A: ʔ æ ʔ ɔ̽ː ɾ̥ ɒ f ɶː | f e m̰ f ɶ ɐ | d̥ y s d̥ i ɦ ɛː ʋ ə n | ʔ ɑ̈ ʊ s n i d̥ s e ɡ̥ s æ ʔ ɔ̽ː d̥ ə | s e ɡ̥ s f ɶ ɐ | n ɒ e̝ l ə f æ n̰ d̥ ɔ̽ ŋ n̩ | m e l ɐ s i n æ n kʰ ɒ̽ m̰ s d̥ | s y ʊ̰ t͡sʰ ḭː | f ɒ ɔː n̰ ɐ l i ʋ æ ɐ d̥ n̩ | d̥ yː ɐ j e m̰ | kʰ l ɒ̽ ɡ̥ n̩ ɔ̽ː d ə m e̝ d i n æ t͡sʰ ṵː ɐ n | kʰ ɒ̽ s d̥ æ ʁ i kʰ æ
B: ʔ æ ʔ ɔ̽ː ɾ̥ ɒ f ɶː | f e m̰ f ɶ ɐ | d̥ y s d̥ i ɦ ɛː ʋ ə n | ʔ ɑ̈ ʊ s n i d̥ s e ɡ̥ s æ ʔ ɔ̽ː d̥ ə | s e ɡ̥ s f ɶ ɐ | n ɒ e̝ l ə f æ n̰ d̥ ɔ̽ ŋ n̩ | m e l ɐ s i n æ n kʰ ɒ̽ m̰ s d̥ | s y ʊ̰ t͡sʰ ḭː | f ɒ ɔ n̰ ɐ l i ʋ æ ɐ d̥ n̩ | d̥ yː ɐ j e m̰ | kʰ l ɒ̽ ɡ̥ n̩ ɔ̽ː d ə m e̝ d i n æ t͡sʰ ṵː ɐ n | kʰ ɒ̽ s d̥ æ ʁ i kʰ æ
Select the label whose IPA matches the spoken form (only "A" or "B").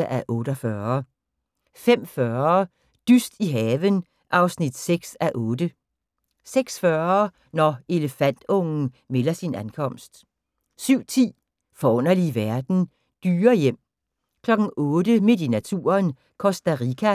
B